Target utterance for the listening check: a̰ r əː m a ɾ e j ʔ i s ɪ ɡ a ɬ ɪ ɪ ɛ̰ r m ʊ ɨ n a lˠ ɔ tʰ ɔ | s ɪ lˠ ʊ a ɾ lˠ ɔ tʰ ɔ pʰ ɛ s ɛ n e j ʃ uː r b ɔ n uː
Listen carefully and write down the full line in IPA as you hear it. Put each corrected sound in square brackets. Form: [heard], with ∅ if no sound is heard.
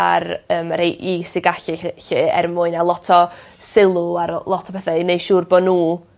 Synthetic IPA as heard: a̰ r əː m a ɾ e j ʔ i s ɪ ɡ a ɬ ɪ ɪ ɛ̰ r m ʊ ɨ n a lˠ ɔ tʰ ɔ | s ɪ lˠ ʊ a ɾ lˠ ɔ tʰ ɔ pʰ ɛ [θ] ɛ n e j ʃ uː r b ɔ n uː